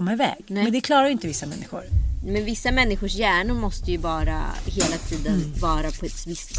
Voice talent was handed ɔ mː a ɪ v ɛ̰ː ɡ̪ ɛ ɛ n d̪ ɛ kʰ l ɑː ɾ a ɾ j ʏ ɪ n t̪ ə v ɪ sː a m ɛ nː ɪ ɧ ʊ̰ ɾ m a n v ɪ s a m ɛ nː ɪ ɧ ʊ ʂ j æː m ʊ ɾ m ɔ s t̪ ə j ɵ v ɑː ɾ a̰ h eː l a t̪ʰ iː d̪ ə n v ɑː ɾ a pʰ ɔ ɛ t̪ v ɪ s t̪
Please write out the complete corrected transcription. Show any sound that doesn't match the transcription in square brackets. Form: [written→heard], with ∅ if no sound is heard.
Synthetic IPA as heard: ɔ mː a ɪ v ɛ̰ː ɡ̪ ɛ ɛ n d̪ ɛ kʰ l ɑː ɾ a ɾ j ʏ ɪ n t̪ ə v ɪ sː a m ɛ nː ɪ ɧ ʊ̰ ɾ m [a→ɛ] n v ɪ [s→sː] a m ɛ nː ɪ ɧ ʊ ʂ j æː [m→ɳ] ʊ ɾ m ɔ s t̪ ə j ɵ v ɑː ɾ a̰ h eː l a t̪ʰ iː d̪ ə n v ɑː ɾ a pʰ ɔ ɛ t̪ v ɪ s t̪